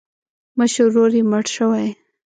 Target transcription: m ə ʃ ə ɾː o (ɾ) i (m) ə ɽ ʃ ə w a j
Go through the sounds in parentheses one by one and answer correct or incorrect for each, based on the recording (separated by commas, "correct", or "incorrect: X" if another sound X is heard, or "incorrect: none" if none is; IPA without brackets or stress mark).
correct, correct